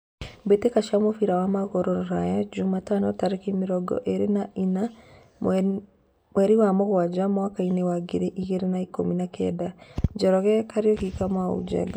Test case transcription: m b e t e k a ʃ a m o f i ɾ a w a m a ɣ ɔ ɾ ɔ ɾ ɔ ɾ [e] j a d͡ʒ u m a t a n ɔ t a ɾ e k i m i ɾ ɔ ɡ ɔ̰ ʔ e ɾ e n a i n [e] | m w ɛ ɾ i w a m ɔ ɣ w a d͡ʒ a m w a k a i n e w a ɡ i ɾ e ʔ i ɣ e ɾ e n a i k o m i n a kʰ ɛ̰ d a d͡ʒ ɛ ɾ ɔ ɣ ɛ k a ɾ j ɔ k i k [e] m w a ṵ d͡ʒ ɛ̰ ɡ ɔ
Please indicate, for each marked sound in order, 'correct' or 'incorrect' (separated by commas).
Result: incorrect, incorrect, incorrect